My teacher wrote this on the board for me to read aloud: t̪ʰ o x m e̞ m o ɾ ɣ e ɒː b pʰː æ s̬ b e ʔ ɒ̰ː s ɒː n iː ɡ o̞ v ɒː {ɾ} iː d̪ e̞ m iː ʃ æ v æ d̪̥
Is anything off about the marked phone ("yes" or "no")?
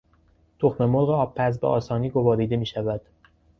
no